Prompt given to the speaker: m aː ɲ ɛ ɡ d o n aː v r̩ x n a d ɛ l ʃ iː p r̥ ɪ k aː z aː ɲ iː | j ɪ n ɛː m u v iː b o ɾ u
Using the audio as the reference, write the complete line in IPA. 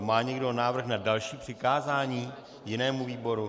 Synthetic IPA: m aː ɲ ɛ ɡ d o n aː v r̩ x n a d a l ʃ iː p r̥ ɪ k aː z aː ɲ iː | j ɪ n ɛː m u v iː b o ɾ u